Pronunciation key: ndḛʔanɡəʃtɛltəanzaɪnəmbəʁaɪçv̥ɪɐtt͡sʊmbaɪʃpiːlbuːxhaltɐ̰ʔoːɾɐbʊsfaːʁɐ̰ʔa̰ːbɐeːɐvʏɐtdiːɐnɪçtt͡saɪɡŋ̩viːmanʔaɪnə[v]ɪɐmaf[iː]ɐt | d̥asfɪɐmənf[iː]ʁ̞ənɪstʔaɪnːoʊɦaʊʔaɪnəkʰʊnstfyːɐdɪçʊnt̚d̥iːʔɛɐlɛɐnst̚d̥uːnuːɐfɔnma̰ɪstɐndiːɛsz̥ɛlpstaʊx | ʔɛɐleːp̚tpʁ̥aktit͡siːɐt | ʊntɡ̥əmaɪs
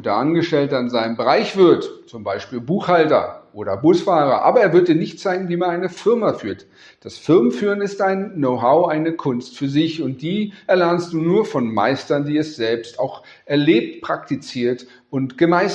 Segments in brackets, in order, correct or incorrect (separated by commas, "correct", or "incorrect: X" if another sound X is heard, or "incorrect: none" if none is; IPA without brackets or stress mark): incorrect: f, incorrect: yː, incorrect: yː